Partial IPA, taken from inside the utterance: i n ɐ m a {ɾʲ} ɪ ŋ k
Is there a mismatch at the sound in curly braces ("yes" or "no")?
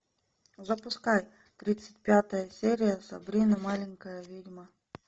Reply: yes